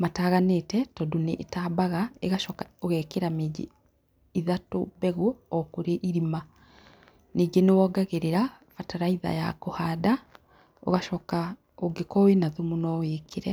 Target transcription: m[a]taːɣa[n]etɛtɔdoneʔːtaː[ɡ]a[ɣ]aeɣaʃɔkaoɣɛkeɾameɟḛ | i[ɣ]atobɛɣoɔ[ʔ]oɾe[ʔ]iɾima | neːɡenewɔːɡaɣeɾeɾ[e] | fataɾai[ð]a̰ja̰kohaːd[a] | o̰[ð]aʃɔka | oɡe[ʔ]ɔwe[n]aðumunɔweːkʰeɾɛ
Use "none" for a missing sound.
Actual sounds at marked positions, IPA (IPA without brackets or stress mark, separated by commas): a, n, b, ɣ, ð, k, ʔ, a, ð, a, ɣ, k, n